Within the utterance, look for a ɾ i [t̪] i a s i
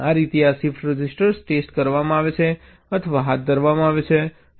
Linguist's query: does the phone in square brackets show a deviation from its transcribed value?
no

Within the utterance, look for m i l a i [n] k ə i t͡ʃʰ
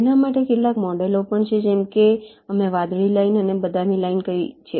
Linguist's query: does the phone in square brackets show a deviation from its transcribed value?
no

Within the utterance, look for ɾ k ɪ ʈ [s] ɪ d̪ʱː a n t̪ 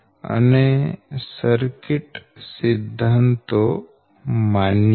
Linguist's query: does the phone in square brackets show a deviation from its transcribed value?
no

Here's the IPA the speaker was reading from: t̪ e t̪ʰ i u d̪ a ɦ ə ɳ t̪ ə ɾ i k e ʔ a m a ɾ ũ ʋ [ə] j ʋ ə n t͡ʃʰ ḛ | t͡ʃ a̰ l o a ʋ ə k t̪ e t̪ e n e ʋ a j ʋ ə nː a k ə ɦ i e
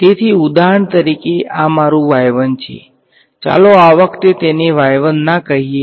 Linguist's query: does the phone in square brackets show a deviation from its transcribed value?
yes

